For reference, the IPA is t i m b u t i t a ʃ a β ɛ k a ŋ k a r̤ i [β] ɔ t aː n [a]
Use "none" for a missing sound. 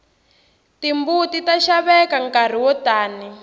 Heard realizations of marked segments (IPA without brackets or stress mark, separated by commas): w, i